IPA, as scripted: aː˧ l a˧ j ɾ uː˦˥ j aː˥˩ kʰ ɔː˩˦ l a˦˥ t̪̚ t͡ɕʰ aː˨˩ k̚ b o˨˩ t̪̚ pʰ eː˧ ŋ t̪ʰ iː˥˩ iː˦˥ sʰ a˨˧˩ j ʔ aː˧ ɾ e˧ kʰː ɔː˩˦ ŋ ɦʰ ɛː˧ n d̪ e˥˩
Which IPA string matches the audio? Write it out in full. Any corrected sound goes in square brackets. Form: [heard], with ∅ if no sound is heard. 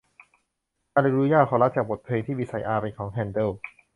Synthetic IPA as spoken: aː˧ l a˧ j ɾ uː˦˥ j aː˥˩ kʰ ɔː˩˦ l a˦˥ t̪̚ [t͡ɕ] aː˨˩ k̚ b o˨˩ t̪̚ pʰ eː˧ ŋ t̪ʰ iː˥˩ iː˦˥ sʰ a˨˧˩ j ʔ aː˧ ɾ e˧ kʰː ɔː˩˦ ŋ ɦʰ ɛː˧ n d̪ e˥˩